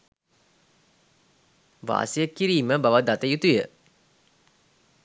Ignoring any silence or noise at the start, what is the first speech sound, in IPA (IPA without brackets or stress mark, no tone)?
ʋ